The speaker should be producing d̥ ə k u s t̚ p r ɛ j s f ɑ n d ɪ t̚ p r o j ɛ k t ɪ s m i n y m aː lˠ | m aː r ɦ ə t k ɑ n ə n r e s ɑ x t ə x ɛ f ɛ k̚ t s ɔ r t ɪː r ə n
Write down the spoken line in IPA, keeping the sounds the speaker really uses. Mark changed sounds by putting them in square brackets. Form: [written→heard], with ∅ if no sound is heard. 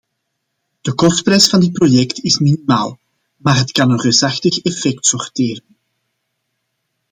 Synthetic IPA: d̥ ə k [u→ɔ] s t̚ p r ɛ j s f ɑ n d ɪ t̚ p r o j ɛ k t ɪ s m i n [y→i] m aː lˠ | m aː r ɦ ə t k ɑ n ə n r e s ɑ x t ə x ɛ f ɛ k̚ t s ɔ r t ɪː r ə n